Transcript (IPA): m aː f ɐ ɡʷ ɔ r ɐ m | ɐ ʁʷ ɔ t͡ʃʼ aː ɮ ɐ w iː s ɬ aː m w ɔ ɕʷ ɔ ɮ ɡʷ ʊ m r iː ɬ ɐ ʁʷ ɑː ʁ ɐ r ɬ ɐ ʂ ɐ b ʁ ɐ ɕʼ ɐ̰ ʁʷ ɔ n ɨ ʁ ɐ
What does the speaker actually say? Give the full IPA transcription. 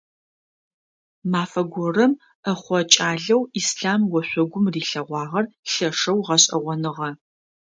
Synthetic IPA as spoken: m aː f ɐ ɡʷ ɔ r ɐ m | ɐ χʷ ɔ t͡ʃʼ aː ɮ ɐ w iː s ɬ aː m w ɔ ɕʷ ɔ ɡʷ ʊ m r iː ɬ ɐ ʁʷ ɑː ʁ ɐ r ɬ ɐ ʂ ɐ w ʁ ɐ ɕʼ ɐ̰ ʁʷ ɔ n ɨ ʁ ɐ